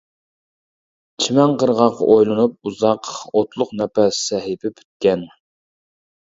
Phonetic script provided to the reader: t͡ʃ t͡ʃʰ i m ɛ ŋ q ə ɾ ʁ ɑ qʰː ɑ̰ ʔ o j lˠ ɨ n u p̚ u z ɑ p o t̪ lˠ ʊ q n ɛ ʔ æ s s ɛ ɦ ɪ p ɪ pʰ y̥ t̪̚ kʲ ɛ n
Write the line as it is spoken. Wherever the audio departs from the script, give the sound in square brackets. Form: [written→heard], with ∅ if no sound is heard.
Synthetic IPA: t͡ʃ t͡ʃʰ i m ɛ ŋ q ə ɾ ʁ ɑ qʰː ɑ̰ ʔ o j lˠ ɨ n u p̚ u z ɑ [p→q] o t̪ lˠ ʊ q n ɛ [ʔ→p] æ s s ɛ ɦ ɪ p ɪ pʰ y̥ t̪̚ kʲ ɛ n